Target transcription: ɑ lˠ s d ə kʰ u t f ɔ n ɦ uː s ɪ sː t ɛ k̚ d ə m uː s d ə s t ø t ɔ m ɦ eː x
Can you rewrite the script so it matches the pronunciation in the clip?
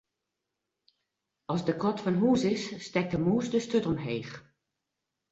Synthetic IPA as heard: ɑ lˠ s d ə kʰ ɔ t f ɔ n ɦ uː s ɪ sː t ɛ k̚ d ə m uː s d ə s t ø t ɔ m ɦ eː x